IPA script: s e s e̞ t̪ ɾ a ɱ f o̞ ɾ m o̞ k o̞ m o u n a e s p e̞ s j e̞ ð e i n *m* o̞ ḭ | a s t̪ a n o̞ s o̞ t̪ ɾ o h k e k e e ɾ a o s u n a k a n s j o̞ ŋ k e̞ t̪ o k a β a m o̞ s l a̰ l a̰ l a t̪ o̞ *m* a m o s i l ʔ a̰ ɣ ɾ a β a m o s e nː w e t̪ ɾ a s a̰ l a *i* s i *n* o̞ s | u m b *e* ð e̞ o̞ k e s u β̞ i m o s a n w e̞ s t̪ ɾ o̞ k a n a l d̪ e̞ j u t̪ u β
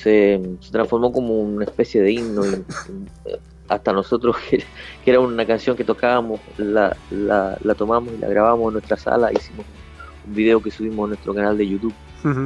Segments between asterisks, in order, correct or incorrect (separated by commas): incorrect, correct, correct, incorrect, incorrect